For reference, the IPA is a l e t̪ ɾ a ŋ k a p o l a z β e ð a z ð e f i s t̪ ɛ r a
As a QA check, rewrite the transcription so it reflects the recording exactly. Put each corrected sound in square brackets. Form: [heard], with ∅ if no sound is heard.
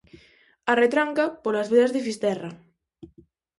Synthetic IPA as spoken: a [r] e t̪ ɾ a ŋ k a p o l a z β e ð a z ð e f i s t̪ ɛ r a

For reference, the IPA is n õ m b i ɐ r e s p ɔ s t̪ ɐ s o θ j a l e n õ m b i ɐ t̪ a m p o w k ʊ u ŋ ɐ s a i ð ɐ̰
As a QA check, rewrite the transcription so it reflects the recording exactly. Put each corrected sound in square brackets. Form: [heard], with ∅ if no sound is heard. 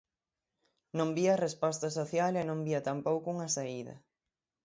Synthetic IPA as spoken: n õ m b i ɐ r e s p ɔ s t̪ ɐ s o θ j a l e n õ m b i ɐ t̪ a m p o w k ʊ u ŋ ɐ s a i ð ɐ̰

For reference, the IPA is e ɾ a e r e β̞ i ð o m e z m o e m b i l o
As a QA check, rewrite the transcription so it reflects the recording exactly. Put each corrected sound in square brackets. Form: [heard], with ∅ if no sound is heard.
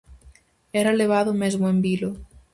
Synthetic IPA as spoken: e ɾ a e [l] e β̞ [a] ð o m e z m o e m b i l o

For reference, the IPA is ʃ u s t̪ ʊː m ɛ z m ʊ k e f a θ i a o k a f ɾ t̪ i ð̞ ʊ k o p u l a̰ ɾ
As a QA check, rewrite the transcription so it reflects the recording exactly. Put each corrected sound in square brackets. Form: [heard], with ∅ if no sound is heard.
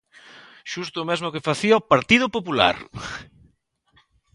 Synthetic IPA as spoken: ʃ u s t̪ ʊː m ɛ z m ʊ k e f a θ i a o [p] a [∅] ɾ t̪ i ð̞ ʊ [p] o p u l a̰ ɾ

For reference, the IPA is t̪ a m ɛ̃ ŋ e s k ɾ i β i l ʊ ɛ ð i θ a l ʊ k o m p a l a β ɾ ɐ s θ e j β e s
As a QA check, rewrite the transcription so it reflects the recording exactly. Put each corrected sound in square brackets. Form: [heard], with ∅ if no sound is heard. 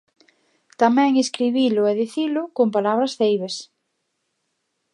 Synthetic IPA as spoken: t̪ a m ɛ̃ ŋ e s k ɾ i β i l ʊ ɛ ð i θ [i] l ʊ k o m p a l a β ɾ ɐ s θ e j β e s

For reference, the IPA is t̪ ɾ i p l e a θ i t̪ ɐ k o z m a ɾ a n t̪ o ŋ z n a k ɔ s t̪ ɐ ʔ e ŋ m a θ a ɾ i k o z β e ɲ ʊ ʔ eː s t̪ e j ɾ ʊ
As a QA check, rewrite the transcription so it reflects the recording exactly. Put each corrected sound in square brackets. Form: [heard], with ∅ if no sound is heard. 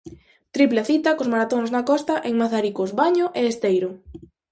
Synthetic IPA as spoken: t̪ ɾ i p l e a θ i t̪ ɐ k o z m a ɾ a [∅] t̪ o ŋ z n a k ɔ s t̪ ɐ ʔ e ŋ m a θ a ɾ i k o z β [a] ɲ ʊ ʔ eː s t̪ e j ɾ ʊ

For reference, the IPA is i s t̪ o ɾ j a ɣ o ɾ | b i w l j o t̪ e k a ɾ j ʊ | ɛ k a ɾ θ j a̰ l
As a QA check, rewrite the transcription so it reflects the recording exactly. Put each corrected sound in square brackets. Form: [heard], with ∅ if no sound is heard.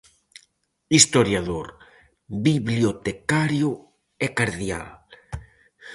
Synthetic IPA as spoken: i s t̪ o ɾ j a [ð] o ɾ | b i [β] l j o t̪ e k a ɾ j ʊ | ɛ k a ɾ [ð] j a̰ l

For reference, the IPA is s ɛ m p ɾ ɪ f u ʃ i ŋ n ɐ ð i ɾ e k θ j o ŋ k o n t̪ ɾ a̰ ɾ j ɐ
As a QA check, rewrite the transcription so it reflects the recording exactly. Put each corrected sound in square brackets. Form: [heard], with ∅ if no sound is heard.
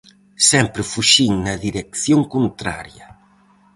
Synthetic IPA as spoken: s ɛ m p ɾ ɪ f u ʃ i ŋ n ɐ ð i ɾ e k θ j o ŋ k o n t̪ ɾ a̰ ɾ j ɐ

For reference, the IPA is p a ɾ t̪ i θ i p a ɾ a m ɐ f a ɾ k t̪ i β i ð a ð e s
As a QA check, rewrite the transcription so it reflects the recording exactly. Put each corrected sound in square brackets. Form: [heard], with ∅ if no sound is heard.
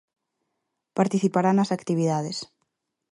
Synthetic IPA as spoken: p a ɾ t̪ i θ i p a ɾ a [n] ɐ [s] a [∅] k t̪ i β i ð a ð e s

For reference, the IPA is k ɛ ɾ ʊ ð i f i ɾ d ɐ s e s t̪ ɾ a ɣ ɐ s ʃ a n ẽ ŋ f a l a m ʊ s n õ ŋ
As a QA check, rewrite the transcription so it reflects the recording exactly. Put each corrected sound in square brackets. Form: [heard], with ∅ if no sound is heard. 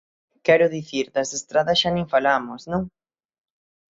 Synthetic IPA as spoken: k ɛ ɾ ʊ ð i [θ] i ɾ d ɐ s e s t̪ ɾ a [ð] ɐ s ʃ a n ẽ ŋ f a l a m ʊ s n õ ŋ

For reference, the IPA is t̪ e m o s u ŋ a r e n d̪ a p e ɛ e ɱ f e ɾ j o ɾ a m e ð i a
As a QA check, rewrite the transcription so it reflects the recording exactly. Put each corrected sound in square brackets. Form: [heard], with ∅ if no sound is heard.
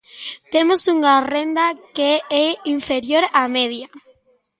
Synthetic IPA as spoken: t̪ e m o s u ŋ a r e n d̪ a [k] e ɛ [i] ɱ f e ɾ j o ɾ a m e ð [j] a

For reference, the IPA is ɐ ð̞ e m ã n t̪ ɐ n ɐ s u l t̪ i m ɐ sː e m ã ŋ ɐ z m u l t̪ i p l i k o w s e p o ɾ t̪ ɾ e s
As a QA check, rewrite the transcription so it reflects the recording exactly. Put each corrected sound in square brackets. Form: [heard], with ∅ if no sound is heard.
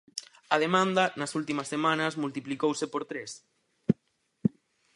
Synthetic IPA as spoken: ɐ ð̞ e m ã n [d̪] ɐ n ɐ s u l t̪ i m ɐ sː e m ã [n] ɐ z m u l t̪ i p l i k o w s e p o ɾ t̪ ɾ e s

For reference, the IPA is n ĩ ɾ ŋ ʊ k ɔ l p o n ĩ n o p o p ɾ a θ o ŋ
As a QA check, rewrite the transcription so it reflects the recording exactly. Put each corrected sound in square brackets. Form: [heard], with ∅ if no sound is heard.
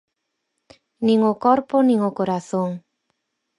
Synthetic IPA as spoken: n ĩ [∅] ŋ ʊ k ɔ [ɾ] p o n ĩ [ŋ] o [k] o [∅] ɾ a θ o ŋ

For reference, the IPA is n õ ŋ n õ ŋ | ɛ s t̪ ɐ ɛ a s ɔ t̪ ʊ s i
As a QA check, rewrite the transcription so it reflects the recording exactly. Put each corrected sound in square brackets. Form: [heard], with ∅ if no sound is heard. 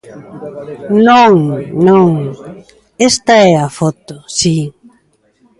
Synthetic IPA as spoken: n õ ŋ n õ ŋ | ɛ s t̪ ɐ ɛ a [f] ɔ t̪ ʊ s i

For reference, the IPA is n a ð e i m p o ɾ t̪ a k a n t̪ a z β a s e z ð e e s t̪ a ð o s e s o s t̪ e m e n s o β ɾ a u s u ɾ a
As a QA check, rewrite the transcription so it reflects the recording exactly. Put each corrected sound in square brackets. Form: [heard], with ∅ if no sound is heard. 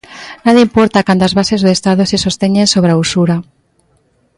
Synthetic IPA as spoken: n a ð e i m p o ɾ t̪ a k a n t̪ a z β a s e z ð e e s t̪ a ð o s e s o s t̪ e [ɲ] e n s o β ɾ a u s u ɾ a

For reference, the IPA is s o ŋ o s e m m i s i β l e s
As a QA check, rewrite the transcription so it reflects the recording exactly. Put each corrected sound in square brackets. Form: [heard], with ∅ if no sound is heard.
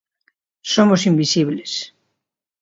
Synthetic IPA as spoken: s o [m] o s [i] m [b] i s i β l e s

